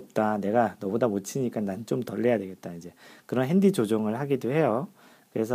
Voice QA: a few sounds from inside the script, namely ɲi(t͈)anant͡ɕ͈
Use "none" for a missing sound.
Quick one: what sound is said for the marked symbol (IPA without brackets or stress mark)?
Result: k͈